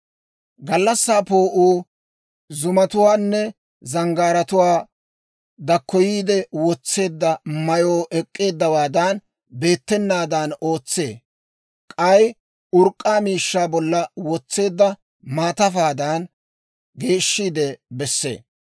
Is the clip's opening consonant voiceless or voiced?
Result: voiced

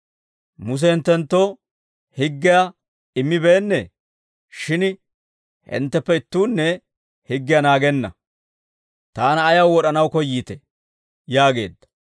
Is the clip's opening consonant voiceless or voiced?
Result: voiced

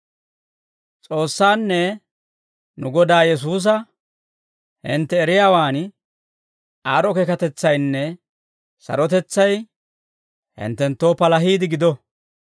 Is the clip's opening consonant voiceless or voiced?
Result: voiceless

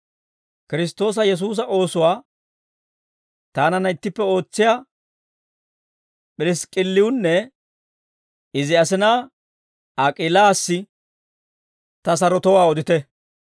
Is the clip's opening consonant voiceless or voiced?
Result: voiceless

